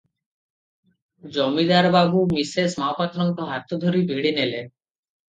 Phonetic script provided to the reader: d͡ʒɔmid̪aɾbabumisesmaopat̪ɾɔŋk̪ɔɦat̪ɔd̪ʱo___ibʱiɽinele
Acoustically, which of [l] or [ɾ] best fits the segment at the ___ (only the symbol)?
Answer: ɾ